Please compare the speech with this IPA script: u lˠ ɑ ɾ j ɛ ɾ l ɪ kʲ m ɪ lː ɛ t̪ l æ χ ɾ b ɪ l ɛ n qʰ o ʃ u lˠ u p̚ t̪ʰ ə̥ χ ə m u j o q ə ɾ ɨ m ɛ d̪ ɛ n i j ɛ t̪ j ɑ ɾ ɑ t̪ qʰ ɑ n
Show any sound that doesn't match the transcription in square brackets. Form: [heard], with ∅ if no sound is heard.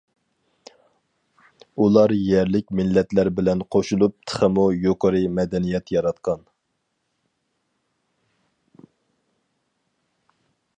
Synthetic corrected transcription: u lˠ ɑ ɾ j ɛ ɾ l ɪ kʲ m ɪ lː ɛ t̪ l æ [∅] ɾ b ɪ l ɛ n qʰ o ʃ u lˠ u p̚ t̪ʰ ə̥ χ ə m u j o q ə ɾ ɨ m ɛ d̪ ɛ n i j ɛ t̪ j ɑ ɾ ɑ t̪ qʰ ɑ n